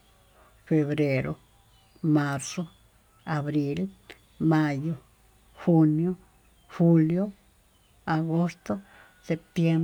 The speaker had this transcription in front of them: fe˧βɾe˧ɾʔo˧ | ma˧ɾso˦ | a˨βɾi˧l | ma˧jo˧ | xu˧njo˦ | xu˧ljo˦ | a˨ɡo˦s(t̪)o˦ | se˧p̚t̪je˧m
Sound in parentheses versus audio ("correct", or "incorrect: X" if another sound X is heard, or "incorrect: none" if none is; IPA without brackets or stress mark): correct